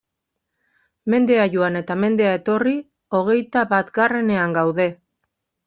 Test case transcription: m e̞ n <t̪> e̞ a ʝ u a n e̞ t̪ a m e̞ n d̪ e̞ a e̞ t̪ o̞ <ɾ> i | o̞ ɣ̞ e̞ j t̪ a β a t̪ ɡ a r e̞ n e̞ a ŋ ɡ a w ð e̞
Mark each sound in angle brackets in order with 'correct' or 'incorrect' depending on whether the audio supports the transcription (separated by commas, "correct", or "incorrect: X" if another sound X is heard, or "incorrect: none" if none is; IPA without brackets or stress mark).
incorrect: d̪, incorrect: r